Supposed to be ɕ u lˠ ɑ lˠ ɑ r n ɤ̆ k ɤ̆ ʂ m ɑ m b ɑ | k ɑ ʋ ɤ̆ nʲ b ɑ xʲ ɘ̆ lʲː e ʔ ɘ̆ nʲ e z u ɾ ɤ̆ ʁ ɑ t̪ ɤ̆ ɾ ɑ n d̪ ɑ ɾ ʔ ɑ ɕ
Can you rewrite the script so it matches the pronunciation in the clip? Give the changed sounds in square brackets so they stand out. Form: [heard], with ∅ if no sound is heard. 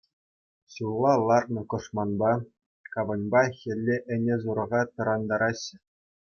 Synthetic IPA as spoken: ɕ u lˠ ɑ lˠ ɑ r n ɤ̆ k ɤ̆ ʂ m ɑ [n] b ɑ | k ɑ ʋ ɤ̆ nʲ b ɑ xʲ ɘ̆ lʲː e ʔ ɘ̆ nʲ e z u ɾ ɤ̆ ʁ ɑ t̪ ɤ̆ ɾ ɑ n d̪ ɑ ɾ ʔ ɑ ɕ